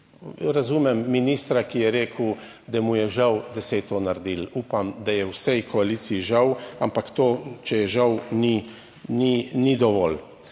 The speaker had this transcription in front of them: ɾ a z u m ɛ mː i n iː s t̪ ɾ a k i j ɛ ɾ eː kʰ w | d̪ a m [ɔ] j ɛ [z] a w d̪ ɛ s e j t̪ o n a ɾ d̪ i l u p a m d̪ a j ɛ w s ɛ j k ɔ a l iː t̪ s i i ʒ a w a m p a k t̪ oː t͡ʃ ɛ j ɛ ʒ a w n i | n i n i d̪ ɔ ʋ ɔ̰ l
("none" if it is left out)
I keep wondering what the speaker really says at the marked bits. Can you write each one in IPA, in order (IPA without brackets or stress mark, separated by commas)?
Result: u, ʒ